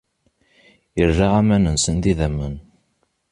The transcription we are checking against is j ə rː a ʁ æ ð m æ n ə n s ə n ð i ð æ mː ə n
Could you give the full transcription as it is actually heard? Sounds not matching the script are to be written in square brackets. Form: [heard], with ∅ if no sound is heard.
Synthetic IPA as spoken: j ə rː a ʁ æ [∅] m æ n ə n s ə n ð i ð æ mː ə n